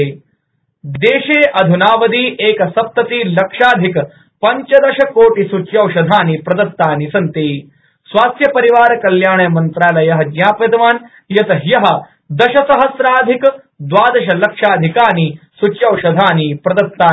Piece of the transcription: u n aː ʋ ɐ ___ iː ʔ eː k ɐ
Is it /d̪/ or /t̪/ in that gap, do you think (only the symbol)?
d̪